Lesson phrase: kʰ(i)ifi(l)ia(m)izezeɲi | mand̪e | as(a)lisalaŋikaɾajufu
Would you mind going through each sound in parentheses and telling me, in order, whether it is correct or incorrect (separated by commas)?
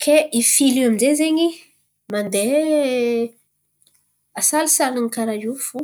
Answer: incorrect, correct, correct, correct